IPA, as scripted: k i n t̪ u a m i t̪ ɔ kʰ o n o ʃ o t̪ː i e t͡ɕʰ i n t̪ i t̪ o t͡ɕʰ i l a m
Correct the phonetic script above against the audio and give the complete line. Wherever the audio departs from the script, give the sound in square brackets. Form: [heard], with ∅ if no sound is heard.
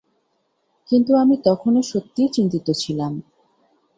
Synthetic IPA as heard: k i n t̪ u a m i t̪ ɔ kʰ o n o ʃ o t̪ː i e [t͡ɕ] i n t̪ i t̪ o t͡ɕʰ i l a m

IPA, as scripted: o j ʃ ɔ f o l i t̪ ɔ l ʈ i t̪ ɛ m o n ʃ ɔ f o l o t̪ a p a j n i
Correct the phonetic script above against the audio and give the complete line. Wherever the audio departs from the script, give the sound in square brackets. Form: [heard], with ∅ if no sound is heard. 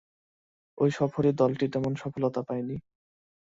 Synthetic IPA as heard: o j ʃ ɔ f o [ɾ] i [d̪] ɔ l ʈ i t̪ ɛ m o n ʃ ɔ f o l o t̪ a p a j n i

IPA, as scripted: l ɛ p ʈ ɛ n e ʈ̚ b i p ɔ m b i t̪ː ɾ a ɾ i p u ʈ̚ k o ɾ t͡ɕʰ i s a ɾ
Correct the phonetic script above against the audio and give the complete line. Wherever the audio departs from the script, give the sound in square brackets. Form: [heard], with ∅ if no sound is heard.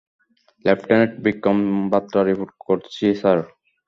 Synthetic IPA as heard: l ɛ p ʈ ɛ n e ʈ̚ b i [k] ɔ m b [a] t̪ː ɾ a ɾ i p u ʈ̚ k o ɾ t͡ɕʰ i s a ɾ

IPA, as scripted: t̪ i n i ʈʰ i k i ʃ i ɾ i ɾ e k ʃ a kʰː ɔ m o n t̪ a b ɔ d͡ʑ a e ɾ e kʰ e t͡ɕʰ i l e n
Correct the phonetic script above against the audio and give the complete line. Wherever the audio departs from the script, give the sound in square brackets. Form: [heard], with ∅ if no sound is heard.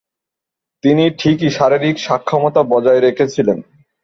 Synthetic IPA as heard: t̪ i n i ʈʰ i k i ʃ [a] ɾ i ɾ [i] k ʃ a kʰː ɔ m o [∅] t̪ a b ɔ d͡ʑ a e ɾ e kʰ e t͡ɕʰ i l e n

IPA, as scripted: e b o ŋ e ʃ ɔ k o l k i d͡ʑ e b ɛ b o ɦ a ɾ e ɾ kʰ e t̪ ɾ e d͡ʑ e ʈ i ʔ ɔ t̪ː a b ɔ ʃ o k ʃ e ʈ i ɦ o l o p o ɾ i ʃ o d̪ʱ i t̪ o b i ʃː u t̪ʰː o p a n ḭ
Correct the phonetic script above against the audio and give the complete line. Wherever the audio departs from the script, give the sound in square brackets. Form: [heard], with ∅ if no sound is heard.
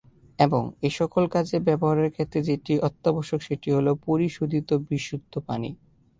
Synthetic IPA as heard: e b o ŋ e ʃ ɔ k o l k [a] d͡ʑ e b ɛ b o ɦ a ɾ e ɾ kʰ e t̪ ɾ e d͡ʑ e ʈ i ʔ ɔ t̪ː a b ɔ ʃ o k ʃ e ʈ i ɦ o l o p o ɾ i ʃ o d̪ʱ i t̪ o b i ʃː u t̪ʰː o p a n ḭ

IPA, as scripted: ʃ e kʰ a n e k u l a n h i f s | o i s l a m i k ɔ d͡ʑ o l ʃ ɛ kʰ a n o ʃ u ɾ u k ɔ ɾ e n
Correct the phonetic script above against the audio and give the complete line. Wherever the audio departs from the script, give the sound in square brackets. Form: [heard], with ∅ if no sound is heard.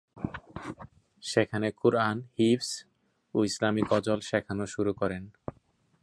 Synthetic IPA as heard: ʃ e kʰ a n e k u [ɾ] a n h i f s | o i s l a m i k ɔ d͡ʑ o l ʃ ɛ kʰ a n o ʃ u ɾ u k ɔ ɾ e n

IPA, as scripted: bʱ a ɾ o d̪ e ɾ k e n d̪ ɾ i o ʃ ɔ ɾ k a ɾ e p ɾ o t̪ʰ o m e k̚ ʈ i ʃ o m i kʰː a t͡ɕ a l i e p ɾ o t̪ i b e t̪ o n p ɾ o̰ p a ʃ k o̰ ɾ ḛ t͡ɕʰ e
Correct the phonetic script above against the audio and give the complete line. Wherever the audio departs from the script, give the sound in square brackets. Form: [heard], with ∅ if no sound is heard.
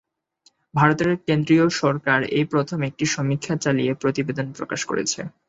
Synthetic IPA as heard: bʱ a ɾ o [t̪] e ɾ k e n d̪ ɾ i o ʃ ɔ ɾ k a ɾ e p ɾ o t̪ʰ o m e k̚ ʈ i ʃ [ɔ] m i kʰː a t͡ɕ a l i e p ɾ o t̪ i b e [d̪] o n p ɾ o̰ [k] a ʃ k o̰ ɾ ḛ t͡ɕʰ e

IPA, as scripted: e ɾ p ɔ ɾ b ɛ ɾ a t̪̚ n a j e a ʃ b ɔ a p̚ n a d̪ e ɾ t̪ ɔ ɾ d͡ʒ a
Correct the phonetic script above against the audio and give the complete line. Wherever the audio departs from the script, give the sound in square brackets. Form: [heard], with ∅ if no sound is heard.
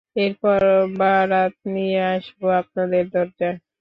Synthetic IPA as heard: e ɾ p ɔ ɾ b [a] ɾ a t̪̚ n [i] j e a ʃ b [o] a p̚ n a d̪ e ɾ [d̪] ɔ ɾ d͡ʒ a

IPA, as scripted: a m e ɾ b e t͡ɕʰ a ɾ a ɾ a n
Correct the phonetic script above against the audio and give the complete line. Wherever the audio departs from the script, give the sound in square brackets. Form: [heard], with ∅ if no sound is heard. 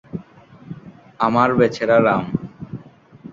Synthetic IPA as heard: a m [a] ɾ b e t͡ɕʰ [e] ɾ a ɾ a [m]

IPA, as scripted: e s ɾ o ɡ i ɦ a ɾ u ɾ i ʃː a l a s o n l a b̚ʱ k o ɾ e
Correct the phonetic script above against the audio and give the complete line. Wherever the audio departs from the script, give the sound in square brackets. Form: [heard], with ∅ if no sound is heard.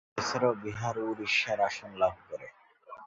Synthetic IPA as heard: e s ɾ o [b] i ɦ a ɾ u ɾ i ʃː a [ɾ] a [ʃ] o n l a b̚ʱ k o ɾ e

